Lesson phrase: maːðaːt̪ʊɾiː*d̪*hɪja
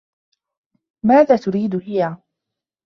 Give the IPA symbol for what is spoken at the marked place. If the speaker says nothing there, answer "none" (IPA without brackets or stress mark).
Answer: d̪